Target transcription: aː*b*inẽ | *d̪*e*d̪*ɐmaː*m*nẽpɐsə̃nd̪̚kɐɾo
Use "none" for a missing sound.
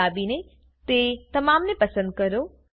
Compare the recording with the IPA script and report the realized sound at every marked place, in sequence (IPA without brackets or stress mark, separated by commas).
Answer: b, t̪, t̪, m